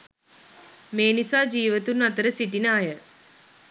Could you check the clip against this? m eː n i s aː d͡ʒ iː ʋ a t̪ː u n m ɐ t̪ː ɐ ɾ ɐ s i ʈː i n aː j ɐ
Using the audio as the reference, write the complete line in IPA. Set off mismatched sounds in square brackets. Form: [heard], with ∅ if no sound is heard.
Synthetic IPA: m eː n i s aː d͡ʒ iː ʋ [ɐ] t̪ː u n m ɐ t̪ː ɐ ɾ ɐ s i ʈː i n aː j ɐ